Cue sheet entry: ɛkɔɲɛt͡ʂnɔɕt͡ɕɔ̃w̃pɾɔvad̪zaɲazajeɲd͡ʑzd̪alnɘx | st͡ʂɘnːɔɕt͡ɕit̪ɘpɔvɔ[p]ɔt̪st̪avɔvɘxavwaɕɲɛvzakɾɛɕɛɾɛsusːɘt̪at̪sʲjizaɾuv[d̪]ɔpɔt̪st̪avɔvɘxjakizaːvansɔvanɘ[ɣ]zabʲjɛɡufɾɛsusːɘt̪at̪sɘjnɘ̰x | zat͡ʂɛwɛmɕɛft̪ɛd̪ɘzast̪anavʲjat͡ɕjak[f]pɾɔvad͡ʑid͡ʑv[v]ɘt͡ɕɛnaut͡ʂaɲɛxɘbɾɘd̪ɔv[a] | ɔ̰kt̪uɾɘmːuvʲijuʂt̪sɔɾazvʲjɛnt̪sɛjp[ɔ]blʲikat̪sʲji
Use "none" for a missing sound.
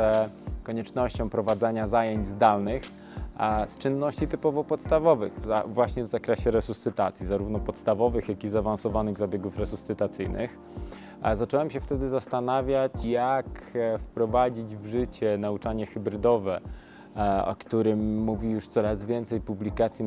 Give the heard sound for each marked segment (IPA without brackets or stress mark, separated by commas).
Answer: p, n̪, ɣ, f, ʐ, ɛ, u